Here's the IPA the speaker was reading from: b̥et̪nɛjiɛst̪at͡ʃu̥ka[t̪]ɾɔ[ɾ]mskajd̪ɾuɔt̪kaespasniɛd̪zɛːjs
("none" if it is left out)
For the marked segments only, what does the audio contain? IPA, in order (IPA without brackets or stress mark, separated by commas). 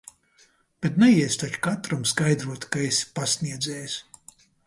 t̪, none